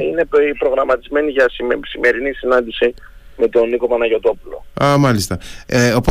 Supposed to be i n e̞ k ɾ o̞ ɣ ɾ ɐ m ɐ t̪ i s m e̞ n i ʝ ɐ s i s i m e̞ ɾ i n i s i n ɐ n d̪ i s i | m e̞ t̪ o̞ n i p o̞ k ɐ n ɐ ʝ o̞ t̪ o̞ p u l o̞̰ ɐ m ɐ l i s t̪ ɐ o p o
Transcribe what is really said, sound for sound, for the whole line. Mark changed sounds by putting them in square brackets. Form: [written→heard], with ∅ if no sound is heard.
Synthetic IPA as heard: i n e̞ [k→p] ɾ o̞ ɣ ɾ ɐ m ɐ t̪ i [s→z] m e̞ n i ʝ ɐ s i s i m e̞ ɾ i n i s i n ɐ n d̪ i s i | m e̞ t̪ o̞ n i [p→k] o̞ [k→p] ɐ n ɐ ʝ o̞ t̪ o̞ p u l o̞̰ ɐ m ɐ l i s t̪ ɐ o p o